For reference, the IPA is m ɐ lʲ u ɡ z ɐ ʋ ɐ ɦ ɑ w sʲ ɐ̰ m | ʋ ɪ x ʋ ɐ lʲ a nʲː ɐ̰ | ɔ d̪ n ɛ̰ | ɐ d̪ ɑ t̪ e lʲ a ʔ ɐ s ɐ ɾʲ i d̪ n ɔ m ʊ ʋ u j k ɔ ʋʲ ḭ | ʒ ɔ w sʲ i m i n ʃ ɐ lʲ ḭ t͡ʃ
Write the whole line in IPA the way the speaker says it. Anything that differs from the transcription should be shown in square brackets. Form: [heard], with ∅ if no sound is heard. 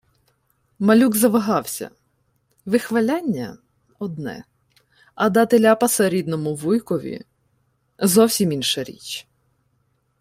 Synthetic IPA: m ɐ lʲ u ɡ z ɐ ʋ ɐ ɦ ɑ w sʲ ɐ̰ [∅] | ʋ ɪ x ʋ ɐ lʲ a nʲː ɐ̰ | ɔ d̪ n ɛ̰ | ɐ d̪ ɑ t̪ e lʲ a [p] ɐ s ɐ ɾʲ i d̪ n ɔ m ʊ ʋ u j k ɔ ʋʲ ḭ | [z] ɔ w sʲ i m i n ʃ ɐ [ɾʲ] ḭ t͡ʃ